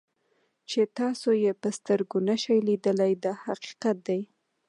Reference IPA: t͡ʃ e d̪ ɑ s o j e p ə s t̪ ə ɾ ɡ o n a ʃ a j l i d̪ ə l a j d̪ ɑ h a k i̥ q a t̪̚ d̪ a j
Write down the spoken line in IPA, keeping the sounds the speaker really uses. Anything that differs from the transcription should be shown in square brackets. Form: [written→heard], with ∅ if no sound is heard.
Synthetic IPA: t͡ʃ e [d̪→t̪] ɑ s o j e p ə s t̪ ə ɾ ɡ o n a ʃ a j l i d̪ ə l a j d̪ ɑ h a [k→q] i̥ q a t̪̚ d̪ a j